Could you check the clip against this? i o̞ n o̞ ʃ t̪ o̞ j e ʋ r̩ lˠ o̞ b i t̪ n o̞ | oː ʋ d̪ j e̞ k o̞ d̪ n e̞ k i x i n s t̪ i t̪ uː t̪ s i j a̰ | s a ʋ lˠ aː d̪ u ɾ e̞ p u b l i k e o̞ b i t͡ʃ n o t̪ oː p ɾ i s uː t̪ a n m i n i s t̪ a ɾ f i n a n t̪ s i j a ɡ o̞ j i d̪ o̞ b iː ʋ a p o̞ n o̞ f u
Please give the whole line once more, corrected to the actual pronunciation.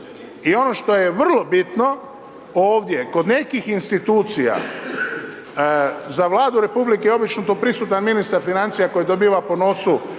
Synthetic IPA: i o̞ n o̞ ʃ t̪ o̞ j e ʋ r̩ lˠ o̞ b i t̪ n o̞ | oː ʋ d̪ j e̞ k o̞ d̪ n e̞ k i x i n s t̪ i t̪ uː t̪ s i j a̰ | z a ʋ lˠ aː d̪ u ɾ e̞ p u b l i k e o̞ b i t͡ʃ n o t̪ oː p ɾ i s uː t̪ a n m i n i s t̪ a ɾ f i n a n t̪ s i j a k o̞ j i d̪ o̞ b iː ʋ a p o̞ n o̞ s u

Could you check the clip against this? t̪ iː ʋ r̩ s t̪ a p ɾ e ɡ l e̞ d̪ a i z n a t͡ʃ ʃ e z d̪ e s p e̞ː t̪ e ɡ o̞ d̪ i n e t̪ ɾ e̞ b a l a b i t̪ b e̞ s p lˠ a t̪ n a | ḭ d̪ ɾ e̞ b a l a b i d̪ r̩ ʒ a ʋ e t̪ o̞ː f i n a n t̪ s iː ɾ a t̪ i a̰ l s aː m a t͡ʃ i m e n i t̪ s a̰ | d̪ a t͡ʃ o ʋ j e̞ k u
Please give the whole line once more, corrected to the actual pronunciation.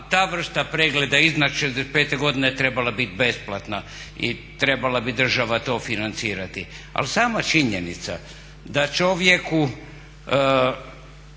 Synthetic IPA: t̪ aː ʋ r̩ s t̪ a p ɾ e ɡ l e̞ d̪ a i z n a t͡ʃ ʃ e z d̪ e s p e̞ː t̪ e ɡ o̞ d̪ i n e t̪ ɾ e̞ b a l a b i t̪ b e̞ s p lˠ a t̪ n a | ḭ t̪ ɾ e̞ b a l a b i d̪ r̩ ʒ a ʋ a t̪ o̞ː f i n a n t̪ s iː ɾ a t̪ i a̰ l s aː m a t͡ʃ i ɲ e n i t̪ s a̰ | d̪ a t͡ʃ o ʋ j e̞ k u

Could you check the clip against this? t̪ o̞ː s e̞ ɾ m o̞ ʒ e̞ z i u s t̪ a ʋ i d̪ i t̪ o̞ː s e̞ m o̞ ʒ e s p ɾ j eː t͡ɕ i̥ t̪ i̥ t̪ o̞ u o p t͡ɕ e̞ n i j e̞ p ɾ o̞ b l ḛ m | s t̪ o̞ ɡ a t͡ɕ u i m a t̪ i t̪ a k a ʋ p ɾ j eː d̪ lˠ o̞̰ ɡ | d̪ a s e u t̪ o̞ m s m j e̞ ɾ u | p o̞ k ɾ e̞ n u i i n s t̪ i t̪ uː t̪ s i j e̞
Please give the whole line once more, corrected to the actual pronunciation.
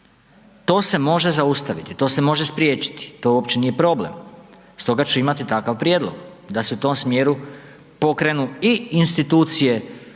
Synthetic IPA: t̪ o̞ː s e̞ m o̞ ʒ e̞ z a u s t̪ a ʋ i t̪ i t̪ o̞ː s e̞ m o̞ ʒ e s p ɾ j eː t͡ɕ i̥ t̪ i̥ t̪ o̞ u o p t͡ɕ e̞ n i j e̞ p ɾ o̞ b l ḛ m | s t̪ o̞ ɡ a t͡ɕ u i m a t̪ i t̪ a k a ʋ p ɾ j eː d̪ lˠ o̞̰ ɡ | d̪ a s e u t̪ o̞ m s m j e̞ ɾ u | p o̞ k ɾ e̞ n u i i n s t̪ i t̪ uː t̪ s i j e̞

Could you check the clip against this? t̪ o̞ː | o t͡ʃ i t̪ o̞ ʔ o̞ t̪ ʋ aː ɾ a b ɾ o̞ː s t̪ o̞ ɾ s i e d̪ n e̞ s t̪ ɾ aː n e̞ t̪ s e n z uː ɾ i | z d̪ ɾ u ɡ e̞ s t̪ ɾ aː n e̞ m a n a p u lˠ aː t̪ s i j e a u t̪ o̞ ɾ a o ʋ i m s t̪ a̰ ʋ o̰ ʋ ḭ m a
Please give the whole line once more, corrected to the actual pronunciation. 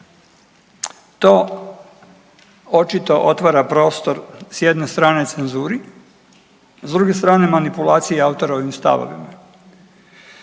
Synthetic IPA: t̪ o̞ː | o t͡ʃ i t̪ o̞ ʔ o̞ t̪ ʋ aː ɾ a p ɾ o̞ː s t̪ o̞ ɾ s j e d̪ n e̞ s t̪ ɾ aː n e̞ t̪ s e n z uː ɾ i | z d̪ ɾ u ɡ e̞ s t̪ ɾ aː n e̞ m a n i p u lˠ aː t̪ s i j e a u t̪ o̞ ɾ a o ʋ i m s t̪ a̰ ʋ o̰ ʋ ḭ m a

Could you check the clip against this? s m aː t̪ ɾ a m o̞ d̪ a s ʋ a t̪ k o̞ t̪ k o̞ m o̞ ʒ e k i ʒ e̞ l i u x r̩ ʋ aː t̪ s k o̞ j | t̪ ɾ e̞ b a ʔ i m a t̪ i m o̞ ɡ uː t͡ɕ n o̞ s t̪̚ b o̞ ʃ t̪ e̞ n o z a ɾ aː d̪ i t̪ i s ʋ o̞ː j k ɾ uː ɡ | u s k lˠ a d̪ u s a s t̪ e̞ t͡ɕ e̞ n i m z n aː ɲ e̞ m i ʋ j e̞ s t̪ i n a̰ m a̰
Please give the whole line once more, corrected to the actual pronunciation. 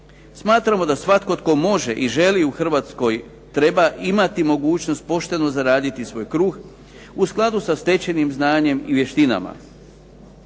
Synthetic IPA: s m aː t̪ ɾ a m o̞ d̪ a s ʋ a t̪ k o̞ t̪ k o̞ m o̞ ʒ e ʔ i ʒ e̞ l i u x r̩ ʋ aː t̪ s k o̞ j | t̪ ɾ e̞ b a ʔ i m a t̪ i m o̞ ɡ uː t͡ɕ n o̞ s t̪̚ p o̞ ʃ t̪ e̞ n o z a ɾ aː d̪ i t̪ i s ʋ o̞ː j k ɾ uː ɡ | u s k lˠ a d̪ u s a s t̪ e̞ t͡ɕ e̞ n i m z n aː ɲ e̞ m i ʋ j e̞ ʃ t̪ i n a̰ m a̰

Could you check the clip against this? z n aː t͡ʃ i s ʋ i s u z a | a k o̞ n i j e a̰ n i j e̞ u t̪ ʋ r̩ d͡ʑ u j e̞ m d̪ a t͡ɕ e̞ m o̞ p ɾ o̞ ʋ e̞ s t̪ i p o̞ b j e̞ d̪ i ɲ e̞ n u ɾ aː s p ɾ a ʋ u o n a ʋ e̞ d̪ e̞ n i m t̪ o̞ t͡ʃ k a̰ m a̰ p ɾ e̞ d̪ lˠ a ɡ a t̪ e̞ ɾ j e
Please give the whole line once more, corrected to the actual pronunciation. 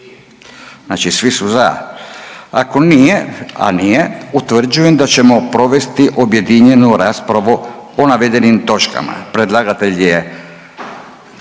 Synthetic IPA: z n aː t͡ʃ i s ʋ i s u z a | a k o̞ n i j e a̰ n i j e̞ u t̪ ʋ r̩ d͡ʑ u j e̞ m d̪ a t͡ɕ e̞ m o̞ p ɾ o̞ ʋ e̞ s t̪ i ʔ o̞ b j e̞ d̪ i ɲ e̞ n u ɾ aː s p ɾ a ʋ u o n a ʋ e̞ d̪ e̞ n i m t̪ o̞ t͡ʃ k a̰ m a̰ p ɾ e̞ d̪ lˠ a ɡ a t̪ e̞ ʎ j e

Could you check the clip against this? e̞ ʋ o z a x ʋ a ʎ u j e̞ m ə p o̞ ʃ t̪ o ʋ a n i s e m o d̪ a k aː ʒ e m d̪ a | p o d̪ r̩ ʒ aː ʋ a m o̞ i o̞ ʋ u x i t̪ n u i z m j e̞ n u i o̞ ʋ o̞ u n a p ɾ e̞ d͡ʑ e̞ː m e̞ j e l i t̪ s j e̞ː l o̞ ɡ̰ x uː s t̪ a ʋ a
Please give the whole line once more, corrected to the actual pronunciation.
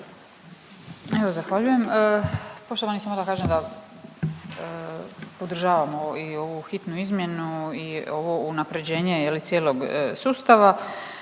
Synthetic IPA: e̞ ʋ o z a x ʋ a ʎ u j e̞ m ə p o̞ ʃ t̪ o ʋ a n i s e m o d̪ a k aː ʒ e m d̪ a | p o d̪ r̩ ʒ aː ʋ a m o̞ i o̞ ʋ u x i t̪ n u i z m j e̞ n u i o̞ ʋ o̞ u n a p ɾ e̞ d͡ʑ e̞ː ɲ e̞ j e l i t̪ s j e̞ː l o̞ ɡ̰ s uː s t̪ a ʋ a

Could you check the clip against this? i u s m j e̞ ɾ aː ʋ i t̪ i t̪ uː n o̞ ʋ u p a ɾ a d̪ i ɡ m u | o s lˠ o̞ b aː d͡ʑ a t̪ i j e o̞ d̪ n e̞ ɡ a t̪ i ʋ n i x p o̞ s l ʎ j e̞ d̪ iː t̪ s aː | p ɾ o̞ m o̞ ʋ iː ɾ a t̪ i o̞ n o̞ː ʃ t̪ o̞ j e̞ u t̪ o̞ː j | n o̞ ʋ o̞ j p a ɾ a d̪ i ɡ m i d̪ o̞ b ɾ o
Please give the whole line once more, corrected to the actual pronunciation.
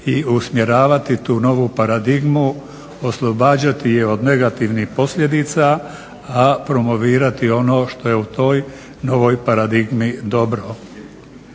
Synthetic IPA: i u s m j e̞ ɾ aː ʋ a t̪ i t̪ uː n o̞ ʋ u p a ɾ a d̪ i ɡ m u | o s lˠ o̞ b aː d͡ʑ a t̪ i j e o̞ d̪ n e̞ ɡ a t̪ i ʋ n i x p o̞ s l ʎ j e̞ d̪ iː t̪ s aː | p ɾ o̞ m o̞ ʋ iː ɾ a t̪ i o̞ n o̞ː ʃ t̪ o̞ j e̞ u t̪ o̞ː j | n o̞ ʋ o̞ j p a ɾ a d̪ i ɡ m i d̪ o̞ b ɾ o

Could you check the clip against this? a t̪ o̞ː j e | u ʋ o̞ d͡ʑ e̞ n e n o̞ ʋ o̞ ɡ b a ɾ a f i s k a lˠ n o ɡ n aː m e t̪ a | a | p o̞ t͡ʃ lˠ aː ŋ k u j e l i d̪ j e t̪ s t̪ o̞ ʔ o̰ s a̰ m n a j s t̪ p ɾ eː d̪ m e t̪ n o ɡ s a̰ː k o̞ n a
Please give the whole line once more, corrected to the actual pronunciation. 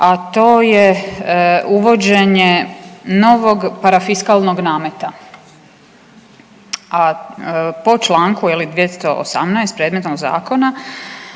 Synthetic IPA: a t̪ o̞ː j e | u ʋ o̞ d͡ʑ e̞ ɲ e n o̞ ʋ o̞ ɡ p a ɾ a f i s k a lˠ n o ɡ n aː m e t̪ a | a | p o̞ t͡ʃ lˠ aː ŋ k u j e l i d̪ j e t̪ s t̪ o̞ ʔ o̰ s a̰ m n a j s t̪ p ɾ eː d̪ m e t̪ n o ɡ z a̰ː k o̞ n a

